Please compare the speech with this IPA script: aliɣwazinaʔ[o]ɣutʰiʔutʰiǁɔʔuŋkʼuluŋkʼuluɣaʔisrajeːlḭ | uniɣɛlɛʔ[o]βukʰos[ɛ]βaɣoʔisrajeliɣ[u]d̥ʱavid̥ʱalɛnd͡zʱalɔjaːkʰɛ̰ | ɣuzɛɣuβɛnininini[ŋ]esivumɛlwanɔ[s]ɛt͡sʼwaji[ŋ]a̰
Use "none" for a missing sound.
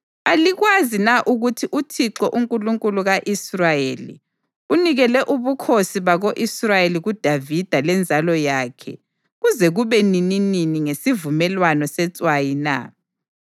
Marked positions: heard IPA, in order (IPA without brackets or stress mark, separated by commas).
u, u, i, u, ŋ, s, n